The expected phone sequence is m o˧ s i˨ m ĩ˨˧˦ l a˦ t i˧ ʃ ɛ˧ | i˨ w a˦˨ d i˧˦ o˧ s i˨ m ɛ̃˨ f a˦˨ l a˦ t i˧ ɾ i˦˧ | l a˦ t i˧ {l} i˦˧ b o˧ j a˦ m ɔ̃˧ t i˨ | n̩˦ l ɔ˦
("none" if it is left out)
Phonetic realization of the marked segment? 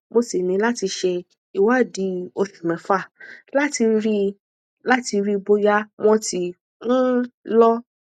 ɾ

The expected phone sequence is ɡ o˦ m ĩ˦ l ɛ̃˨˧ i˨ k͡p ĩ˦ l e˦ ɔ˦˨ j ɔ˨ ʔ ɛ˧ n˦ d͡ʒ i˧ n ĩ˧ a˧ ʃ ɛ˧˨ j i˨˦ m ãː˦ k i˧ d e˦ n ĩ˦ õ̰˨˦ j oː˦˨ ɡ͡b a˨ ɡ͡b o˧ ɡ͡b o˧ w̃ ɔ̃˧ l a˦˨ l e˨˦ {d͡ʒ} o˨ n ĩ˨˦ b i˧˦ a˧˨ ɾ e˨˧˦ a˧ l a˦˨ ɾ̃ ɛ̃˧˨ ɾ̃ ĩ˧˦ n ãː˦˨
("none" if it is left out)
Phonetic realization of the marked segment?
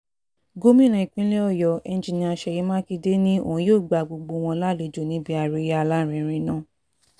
d͡ʒ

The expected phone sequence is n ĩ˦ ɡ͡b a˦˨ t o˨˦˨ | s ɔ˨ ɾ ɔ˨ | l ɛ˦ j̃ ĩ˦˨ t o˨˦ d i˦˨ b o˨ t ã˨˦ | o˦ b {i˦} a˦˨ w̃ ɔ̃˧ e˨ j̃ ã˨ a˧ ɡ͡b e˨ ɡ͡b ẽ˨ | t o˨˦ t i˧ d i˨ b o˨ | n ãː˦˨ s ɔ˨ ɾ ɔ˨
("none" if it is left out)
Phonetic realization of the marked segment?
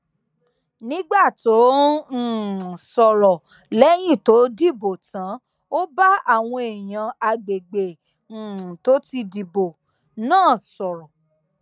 a˦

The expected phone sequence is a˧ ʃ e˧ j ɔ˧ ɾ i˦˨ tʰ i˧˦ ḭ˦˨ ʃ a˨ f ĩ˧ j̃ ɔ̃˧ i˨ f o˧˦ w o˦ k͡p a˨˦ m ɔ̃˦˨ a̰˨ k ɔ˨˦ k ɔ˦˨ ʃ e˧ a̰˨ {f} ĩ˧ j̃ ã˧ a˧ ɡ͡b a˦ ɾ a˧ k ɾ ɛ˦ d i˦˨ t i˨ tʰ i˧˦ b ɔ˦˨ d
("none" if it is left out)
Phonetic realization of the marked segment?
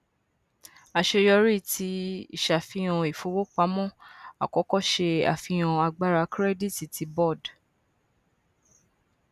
f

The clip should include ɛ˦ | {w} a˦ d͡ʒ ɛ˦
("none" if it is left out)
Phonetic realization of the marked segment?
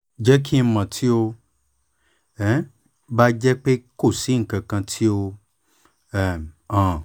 b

